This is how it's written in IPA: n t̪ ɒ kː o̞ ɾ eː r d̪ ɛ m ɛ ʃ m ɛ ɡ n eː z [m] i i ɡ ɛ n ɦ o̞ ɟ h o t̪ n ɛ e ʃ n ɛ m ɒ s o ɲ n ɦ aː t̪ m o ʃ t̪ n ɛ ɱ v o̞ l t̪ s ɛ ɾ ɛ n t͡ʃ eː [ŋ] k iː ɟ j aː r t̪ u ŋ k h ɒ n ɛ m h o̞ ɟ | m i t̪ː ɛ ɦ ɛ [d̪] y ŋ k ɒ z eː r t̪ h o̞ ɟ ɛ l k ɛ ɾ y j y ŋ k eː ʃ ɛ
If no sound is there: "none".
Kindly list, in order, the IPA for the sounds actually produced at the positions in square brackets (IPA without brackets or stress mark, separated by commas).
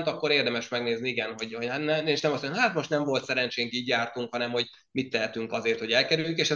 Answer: n, ŋ, t̪